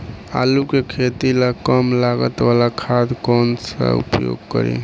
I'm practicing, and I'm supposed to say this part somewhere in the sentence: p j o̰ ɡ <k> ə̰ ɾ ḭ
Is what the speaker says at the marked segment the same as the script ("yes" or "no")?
yes